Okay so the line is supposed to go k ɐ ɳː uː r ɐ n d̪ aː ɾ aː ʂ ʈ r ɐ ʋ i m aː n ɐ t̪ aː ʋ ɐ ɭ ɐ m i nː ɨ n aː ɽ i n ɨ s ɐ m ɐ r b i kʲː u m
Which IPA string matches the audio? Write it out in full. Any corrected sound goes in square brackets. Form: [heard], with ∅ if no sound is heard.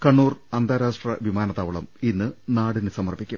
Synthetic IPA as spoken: k ɐ ɳː uː r ɐ n d̪ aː ɾ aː ʂ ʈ r ɐ ʋ i m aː n ɐ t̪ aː ʋ ɐ ɭ ɐ m i nː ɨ n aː ɽ i n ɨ s ɐ m ɐ r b i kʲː u m

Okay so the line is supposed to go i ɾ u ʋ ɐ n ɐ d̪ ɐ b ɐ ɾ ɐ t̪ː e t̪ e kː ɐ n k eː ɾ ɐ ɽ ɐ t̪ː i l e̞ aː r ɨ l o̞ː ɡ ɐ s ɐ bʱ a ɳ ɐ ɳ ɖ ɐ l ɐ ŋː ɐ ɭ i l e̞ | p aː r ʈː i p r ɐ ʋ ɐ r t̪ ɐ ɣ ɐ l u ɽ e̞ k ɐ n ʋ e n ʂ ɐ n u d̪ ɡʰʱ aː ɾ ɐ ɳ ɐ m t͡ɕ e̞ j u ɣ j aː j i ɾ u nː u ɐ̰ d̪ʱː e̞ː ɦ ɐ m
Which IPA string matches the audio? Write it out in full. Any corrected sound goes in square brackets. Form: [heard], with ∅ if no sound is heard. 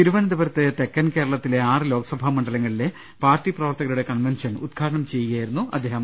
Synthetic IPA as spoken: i ɾ u ʋ ɐ n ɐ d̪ ɐ b ɐ ɾ ɐ t̪ː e t̪ e kː ɐ n k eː ɾ ɐ [ɭ] ɐ t̪ː i l e̞ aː r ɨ l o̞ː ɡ ɐ s ɐ bʱ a [m] ɐ ɳ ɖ ɐ l ɐ ŋː ɐ ɭ i l e̞ | p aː r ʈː i p r ɐ ʋ ɐ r t̪ ɐ ɣ ɐ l u ɽ e̞ k ɐ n ʋ e n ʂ ɐ n u d̪ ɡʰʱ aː ɾ ɐ ɳ ɐ m t͡ɕ e̞ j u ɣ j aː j i ɾ u nː u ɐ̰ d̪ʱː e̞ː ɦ ɐ m

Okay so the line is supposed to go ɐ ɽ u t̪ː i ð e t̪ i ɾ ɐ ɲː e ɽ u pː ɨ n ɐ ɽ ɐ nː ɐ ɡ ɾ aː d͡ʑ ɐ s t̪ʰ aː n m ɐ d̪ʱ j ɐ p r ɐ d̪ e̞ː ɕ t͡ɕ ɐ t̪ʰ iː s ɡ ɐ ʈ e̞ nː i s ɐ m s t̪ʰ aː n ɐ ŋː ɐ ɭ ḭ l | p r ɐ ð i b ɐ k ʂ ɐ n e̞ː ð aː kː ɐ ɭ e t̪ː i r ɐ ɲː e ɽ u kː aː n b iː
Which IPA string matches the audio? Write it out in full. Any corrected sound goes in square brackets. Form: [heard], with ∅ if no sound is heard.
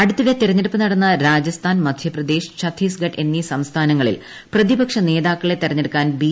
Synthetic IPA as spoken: ɐ ɽ u t̪ː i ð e t̪ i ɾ ɐ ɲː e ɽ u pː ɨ n ɐ ɽ ɐ nː ɐ [∅] ɾ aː d͡ʑ ɐ s t̪ʰ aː n m ɐ d̪ʱ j ɐ p r ɐ d̪ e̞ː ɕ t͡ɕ ɐ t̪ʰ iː s ɡ ɐ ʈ e̞ nː i s ɐ m s t̪ʰ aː n ɐ ŋː ɐ ɭ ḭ l | p r ɐ ð i b ɐ k ʂ ɐ n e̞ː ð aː kː ɐ ɭ e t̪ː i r ɐ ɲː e ɽ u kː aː n b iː

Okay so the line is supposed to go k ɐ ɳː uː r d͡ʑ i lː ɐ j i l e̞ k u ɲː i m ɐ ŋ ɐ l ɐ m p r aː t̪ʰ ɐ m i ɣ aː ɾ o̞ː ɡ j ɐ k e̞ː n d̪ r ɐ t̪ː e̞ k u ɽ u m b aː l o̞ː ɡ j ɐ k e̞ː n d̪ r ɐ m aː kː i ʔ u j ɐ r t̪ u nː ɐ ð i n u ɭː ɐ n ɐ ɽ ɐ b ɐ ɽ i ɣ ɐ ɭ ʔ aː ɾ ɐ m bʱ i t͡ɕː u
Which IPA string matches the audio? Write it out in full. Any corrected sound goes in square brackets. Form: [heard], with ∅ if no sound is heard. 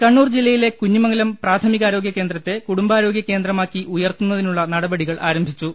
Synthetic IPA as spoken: k ɐ ɳː uː r d͡ʑ i lː ɐ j i l e̞ k u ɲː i m ɐ ŋ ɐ l ɐ m p r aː t̪ʰ ɐ m i ɣ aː ɾ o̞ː ɡ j ɐ k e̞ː n d̪ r ɐ t̪ː e̞ k u ɽ u m b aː [ɾ] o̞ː ɡ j ɐ k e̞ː n d̪ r ɐ m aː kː i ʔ u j ɐ r t̪ u nː ɐ ð i n u ɭː ɐ n ɐ ɽ ɐ b ɐ ɽ i ɣ ɐ ɭ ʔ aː ɾ ɐ m bʱ i t͡ɕː u

